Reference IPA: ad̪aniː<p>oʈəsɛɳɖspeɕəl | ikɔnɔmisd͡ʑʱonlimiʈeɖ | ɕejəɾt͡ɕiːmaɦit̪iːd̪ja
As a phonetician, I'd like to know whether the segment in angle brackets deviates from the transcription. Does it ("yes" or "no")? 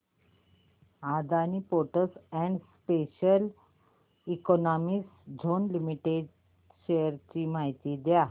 no